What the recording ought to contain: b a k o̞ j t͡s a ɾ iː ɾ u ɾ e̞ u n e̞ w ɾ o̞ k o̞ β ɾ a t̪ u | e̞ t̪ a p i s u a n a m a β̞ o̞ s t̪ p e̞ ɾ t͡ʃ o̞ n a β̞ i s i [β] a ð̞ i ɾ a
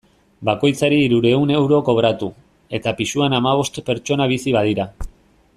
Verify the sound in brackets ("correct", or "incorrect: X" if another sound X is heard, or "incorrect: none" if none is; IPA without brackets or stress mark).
correct